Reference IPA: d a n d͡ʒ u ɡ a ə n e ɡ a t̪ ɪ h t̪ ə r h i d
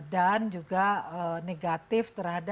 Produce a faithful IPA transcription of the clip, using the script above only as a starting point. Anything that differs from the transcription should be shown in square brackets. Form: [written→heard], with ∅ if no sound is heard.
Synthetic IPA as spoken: d a n d͡ʒ u ɡ a ə n e ɡ a t̪ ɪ [h→f] t̪ ə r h [i→a] d